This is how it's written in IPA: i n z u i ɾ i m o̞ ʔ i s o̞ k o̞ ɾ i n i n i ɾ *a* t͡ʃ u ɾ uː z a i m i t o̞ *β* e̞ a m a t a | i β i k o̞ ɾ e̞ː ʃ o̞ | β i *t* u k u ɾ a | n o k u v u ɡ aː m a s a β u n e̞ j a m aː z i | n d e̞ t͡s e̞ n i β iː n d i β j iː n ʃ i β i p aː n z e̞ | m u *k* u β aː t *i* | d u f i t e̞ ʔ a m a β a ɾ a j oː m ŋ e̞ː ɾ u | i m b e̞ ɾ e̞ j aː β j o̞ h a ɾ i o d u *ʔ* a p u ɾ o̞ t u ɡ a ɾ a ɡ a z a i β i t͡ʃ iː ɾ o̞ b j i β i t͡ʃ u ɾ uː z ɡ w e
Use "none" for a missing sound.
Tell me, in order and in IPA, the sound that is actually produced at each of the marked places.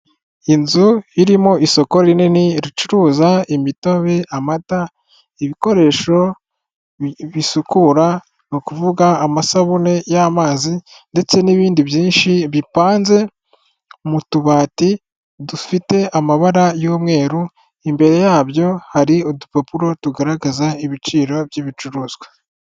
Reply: i, β, s, t, i, p

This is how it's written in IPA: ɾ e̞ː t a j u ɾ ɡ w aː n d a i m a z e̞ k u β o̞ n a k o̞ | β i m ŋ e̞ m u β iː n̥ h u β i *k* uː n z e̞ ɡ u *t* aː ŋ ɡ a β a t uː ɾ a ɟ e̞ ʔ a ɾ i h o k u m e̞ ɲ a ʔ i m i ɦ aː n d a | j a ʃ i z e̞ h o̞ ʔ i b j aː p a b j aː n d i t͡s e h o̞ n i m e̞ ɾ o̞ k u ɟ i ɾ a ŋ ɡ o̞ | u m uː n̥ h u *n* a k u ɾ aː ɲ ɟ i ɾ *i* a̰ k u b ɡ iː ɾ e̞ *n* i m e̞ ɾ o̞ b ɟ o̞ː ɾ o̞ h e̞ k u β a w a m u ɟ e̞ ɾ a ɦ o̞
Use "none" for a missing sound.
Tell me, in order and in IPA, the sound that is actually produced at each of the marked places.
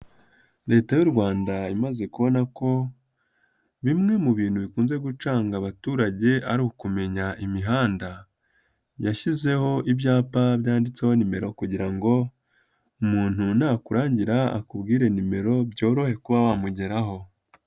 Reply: k, t͡ʃ, n, a, n

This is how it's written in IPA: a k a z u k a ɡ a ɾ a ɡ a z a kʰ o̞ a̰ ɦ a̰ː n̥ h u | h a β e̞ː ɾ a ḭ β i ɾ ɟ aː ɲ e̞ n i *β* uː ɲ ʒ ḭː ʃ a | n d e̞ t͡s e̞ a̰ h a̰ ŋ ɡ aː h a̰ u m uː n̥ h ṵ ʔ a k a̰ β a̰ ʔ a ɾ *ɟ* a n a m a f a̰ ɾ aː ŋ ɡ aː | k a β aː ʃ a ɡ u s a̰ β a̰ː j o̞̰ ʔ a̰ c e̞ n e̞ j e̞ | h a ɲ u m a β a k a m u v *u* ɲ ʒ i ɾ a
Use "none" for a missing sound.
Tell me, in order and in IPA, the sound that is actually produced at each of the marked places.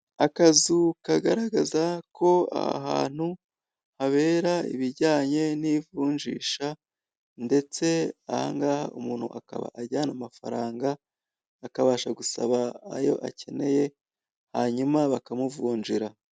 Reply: v, ɟ, uː

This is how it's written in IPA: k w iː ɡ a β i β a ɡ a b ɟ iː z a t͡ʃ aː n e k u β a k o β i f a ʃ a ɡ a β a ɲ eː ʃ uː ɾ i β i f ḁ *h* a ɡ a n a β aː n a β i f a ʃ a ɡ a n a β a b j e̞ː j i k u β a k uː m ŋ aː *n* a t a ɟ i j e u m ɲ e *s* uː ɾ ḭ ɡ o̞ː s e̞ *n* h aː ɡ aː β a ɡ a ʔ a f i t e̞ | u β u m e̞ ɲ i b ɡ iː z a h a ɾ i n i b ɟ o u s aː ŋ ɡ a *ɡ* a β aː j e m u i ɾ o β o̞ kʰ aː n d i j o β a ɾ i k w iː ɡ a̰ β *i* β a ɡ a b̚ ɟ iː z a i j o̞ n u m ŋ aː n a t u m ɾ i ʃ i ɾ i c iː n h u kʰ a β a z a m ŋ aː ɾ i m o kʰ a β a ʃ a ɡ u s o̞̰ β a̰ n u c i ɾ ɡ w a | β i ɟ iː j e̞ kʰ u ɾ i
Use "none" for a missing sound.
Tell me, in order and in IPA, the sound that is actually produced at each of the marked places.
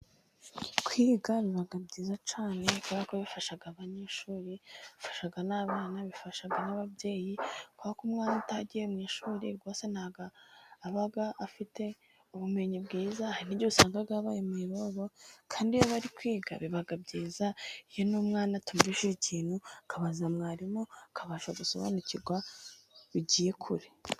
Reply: ʃ, n, ʃ, n, ɡ, i

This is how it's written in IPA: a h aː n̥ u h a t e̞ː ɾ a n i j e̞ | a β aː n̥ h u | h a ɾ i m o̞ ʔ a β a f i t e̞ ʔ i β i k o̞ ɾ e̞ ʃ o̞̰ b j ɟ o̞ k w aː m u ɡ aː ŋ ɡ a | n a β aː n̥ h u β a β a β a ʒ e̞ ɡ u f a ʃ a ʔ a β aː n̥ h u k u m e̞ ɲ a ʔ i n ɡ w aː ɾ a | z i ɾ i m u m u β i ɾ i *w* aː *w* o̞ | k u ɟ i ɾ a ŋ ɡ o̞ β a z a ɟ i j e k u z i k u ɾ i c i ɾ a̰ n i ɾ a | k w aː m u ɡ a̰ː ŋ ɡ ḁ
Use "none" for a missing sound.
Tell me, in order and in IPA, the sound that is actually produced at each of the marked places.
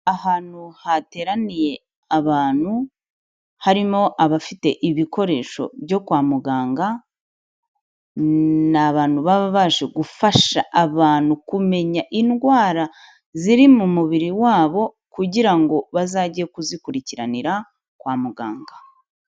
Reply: w, β

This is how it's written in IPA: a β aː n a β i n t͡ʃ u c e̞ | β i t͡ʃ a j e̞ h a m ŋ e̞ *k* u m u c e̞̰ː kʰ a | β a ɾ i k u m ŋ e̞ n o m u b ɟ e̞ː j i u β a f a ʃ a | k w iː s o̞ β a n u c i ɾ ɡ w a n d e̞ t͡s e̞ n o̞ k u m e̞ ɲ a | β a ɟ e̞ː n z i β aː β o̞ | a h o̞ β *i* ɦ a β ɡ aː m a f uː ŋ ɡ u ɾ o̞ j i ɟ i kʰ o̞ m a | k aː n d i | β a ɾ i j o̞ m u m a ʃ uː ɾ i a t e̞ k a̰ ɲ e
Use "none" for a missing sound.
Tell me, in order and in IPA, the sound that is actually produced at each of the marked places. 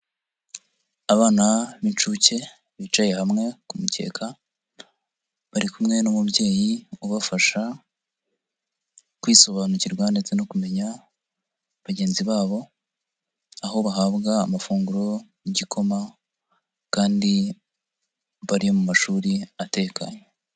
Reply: k, a

